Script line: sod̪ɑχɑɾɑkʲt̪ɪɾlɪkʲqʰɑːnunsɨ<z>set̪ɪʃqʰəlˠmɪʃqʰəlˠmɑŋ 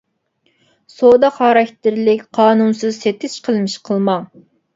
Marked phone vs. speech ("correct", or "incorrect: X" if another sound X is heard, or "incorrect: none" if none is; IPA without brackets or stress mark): correct